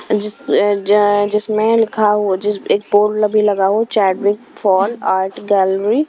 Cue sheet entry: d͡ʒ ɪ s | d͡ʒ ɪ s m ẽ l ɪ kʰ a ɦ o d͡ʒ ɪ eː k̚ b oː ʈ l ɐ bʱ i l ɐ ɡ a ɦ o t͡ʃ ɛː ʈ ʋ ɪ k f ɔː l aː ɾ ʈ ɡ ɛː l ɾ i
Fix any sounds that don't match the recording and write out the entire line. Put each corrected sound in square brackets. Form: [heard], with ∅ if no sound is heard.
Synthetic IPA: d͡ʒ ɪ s | d͡ʒ ɪ s m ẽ l ɪ kʰ a ɦ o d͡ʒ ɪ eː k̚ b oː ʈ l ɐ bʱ i l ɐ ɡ a ɦ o t͡ʃ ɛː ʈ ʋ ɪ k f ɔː l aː ɾ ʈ ɡ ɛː l ɾ i